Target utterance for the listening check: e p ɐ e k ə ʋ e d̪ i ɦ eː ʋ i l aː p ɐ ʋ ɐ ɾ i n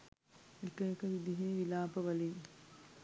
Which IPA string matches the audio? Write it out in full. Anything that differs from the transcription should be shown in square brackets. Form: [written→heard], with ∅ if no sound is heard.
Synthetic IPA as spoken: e [p→k] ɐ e k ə ʋ [e→i] d̪ i ɦ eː ʋ i l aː p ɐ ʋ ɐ [ɾ→l] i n

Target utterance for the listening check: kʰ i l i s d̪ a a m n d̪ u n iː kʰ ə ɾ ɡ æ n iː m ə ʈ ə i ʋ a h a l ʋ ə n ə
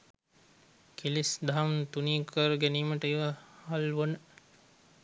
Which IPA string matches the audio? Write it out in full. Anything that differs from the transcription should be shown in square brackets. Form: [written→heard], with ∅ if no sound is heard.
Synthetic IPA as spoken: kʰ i l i s d̪ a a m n [d̪→t̪] u n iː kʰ ə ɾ ɡ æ n iː m ə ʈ ə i ʋ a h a l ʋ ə n ə

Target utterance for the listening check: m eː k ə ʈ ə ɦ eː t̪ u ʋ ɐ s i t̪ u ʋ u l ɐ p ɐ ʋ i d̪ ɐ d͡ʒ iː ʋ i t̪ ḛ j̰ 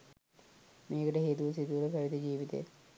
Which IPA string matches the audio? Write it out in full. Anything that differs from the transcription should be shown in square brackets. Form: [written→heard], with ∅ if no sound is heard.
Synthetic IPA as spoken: m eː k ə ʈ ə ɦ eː t̪ u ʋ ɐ s i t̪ u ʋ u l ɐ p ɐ ʋ i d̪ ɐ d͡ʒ iː ʋ i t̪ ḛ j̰

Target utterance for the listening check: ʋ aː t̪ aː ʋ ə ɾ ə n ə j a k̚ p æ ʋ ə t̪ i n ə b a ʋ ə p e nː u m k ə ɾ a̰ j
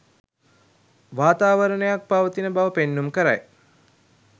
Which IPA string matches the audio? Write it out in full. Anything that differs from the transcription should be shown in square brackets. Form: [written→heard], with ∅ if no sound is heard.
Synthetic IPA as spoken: ʋ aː t̪ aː ʋ ə ɾ ə n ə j a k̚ p [æ→a] ʋ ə t̪ i n ə b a ʋ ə p e nː u m k ə ɾ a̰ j

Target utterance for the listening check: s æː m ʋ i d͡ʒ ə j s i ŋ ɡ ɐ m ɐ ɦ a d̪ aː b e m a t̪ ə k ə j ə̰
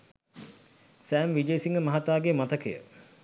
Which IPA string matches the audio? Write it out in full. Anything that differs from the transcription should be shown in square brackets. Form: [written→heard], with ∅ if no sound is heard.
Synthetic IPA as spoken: s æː m ʋ i d͡ʒ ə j s i ŋ ɡ [ɐ→ə] m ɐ ɦ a [d̪→t̪] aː [b→ɡ] e m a t̪ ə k ə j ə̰

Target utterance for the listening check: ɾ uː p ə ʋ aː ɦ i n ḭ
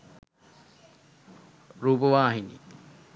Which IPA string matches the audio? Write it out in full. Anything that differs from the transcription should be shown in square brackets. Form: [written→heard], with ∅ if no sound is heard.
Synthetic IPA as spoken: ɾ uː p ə ʋ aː ɦ i n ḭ

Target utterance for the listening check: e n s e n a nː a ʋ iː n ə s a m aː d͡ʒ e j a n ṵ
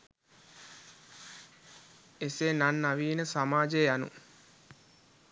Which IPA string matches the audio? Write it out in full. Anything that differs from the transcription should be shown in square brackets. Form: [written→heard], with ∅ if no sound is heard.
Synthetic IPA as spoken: e [n→∅] s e n a nː a ʋ iː n ə s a m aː d͡ʒ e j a n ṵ

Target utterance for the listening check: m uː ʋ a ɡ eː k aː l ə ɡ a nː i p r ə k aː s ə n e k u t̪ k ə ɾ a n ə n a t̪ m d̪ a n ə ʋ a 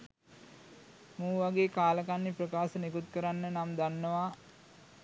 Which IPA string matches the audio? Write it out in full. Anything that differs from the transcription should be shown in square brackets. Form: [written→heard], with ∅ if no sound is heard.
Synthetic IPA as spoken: m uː ʋ a ɡ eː k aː l ə [ɡ→k] a nː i p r ə k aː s ə n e k u t̪ k ə ɾ a [n→nː] ə n a [t̪→∅] m d̪ a [n→nː] ə ʋ a

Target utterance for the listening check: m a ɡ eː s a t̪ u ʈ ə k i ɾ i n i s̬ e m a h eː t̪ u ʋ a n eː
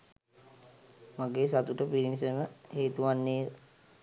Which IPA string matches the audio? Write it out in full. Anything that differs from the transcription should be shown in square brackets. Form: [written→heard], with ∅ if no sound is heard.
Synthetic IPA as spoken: m a ɡ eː s a t̪ u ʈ ə [k→p] i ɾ i n i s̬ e m [a→ə] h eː t̪ u ʋ a [n→nː] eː

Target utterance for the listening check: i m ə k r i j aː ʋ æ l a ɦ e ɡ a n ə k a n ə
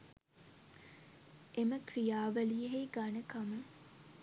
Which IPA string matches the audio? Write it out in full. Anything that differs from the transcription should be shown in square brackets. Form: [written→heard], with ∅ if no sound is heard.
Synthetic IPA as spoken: [i→e] m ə k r i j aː ʋ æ l [a→i] ɦ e ɡ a n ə k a [n→m] ə

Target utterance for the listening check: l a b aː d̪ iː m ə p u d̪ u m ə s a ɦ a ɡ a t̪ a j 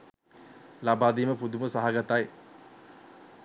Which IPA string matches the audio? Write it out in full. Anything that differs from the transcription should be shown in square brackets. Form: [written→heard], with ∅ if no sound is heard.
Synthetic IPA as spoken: l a b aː d̪ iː m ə p u d̪ u m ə s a ɦ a ɡ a t̪ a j

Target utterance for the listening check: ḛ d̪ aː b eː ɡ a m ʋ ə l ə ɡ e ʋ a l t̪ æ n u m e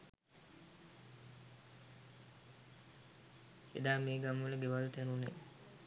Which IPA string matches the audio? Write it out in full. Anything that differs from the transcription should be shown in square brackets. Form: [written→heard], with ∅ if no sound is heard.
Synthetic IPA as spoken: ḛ d̪ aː [b→m] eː ɡ a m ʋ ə l ə ɡ e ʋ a l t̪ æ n u [m→n] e

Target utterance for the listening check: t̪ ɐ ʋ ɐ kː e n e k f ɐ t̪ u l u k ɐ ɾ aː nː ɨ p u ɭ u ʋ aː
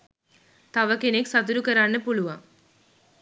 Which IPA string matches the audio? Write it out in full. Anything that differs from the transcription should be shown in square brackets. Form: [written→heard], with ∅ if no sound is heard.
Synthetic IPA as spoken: t̪ ɐ ʋ ɐ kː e n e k [f→s] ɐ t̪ u [l→ɾ] u k ɐ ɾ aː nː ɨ p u ɭ u ʋ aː

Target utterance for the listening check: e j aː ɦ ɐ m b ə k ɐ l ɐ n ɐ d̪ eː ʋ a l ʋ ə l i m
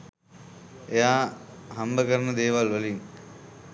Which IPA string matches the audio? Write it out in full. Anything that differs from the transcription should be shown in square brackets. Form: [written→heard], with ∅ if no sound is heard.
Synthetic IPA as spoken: e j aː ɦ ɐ m b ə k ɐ [l→ɾ] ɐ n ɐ d̪ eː ʋ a l ʋ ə l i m

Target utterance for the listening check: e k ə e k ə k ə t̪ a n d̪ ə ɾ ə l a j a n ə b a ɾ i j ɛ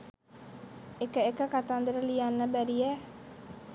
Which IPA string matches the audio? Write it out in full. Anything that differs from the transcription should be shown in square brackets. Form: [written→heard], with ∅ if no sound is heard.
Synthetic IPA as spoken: e k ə e k ə k [ə→a] t̪ a n d̪ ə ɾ ə l [a→i] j a [n→nː] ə b [a→æ] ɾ i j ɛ

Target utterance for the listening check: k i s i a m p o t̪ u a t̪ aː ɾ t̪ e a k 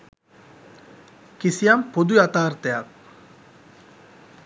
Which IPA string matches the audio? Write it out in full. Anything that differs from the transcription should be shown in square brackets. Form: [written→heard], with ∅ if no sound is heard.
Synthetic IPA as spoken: k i s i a m p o [t̪→d̪] u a t̪ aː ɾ t̪ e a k

